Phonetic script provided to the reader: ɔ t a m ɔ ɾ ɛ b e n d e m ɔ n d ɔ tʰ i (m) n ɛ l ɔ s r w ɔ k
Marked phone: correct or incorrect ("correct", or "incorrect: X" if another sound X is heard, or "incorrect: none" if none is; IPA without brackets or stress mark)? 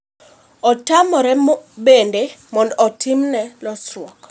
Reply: correct